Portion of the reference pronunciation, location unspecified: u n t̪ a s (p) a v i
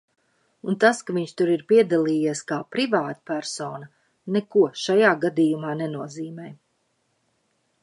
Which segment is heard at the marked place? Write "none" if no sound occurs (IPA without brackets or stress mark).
k